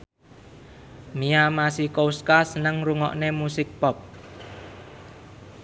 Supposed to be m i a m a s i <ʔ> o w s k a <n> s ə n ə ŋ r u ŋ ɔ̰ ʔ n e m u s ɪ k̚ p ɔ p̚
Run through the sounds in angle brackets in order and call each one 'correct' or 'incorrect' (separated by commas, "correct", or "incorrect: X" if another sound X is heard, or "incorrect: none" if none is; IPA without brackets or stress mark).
incorrect: k, incorrect: none